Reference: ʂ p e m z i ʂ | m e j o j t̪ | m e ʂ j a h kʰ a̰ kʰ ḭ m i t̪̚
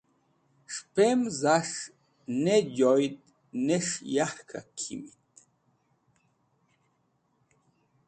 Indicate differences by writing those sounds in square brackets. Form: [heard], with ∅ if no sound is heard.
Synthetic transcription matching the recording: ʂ p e m z [a] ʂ | [n] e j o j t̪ | [n] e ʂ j a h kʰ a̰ kʰ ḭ m i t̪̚